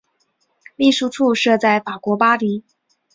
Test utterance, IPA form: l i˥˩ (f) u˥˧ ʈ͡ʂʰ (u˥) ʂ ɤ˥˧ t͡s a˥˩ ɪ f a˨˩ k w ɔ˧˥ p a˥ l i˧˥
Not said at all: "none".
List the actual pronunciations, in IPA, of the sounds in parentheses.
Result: ʂ, u˥˧

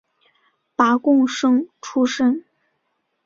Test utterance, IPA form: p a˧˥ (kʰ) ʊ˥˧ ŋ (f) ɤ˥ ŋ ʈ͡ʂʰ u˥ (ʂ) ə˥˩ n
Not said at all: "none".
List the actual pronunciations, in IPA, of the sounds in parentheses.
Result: k, ʂ, ʂ

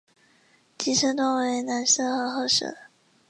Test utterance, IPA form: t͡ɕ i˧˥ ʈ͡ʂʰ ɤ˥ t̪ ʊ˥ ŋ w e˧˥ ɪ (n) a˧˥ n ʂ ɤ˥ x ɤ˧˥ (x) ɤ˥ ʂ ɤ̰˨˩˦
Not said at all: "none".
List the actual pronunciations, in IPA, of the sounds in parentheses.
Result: n, x

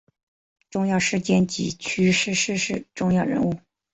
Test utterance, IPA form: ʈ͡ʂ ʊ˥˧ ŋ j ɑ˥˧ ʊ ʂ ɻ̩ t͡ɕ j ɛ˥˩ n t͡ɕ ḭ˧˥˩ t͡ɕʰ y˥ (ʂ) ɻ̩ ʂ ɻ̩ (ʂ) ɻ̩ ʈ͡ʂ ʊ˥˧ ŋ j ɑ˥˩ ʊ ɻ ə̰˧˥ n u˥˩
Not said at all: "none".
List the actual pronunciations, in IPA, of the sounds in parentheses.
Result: ʂ, ʂ

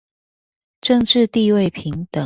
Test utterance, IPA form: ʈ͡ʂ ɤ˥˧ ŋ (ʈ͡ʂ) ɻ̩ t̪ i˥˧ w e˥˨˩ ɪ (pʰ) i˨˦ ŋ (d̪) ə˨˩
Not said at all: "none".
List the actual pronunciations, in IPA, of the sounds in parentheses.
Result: ʈ͡ʂ, pʰ, t̪

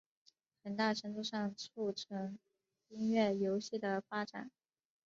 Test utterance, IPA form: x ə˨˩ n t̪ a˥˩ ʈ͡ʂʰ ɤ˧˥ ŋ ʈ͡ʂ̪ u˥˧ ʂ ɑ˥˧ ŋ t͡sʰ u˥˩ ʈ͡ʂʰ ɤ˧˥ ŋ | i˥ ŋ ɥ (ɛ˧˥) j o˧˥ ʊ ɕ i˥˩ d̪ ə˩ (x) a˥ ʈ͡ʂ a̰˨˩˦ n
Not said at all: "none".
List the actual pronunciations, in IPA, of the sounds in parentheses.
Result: ɛ˥˩, f

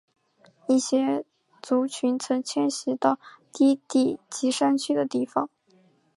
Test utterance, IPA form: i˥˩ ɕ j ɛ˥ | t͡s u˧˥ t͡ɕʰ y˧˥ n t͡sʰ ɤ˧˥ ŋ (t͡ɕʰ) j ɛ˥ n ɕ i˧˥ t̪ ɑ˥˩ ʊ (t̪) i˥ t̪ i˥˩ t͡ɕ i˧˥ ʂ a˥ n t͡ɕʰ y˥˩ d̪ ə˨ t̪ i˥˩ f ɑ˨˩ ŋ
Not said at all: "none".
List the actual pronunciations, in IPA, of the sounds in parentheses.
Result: t͡ɕʰ, t̪

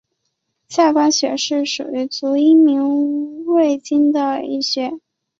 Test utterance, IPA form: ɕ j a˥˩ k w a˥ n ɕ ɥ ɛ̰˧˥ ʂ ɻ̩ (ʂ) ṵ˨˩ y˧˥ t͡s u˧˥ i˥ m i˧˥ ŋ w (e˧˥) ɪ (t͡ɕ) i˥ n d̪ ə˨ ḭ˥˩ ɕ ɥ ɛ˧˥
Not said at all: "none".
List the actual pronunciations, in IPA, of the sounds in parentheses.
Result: ʂ, e˥˩, t͡ɕ

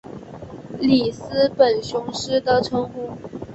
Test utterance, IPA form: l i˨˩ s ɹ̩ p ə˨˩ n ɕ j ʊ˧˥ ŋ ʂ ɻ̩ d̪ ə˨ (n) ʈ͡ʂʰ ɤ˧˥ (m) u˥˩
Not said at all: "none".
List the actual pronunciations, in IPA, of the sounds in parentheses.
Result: none, ŋ

